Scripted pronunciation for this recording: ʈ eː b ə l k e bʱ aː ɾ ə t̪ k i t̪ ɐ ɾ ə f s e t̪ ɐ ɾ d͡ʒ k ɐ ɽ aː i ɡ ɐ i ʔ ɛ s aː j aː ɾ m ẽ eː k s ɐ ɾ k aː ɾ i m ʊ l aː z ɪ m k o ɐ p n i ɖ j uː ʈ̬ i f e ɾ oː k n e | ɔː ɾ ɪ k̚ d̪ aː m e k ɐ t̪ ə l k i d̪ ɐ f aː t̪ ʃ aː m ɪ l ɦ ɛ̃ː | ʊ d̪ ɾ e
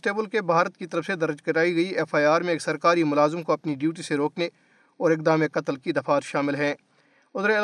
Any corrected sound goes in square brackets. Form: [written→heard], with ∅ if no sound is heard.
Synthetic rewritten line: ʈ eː b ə l k e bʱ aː ɾ ə t̪ k i t̪ ɐ ɾ ə f s e [t̪→d̪] ɐ ɾ d͡ʒ k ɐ [ɽ→ɾ] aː i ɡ ɐ i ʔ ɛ [s→f] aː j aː ɾ m ẽ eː k s ɐ ɾ k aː ɾ i m ʊ l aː z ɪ m k o ɐ p n i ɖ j uː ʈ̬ i [f→s] e ɾ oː k n e | ɔː ɾ ɪ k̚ d̪ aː m e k ɐ t̪ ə l k i d̪ ɐ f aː t̪ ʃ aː m ɪ l ɦ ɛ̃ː | ʊ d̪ ɾ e